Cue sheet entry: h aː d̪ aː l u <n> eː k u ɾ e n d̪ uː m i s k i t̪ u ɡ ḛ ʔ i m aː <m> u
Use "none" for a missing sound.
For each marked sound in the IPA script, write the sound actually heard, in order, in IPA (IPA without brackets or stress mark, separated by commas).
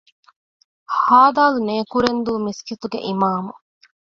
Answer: n, m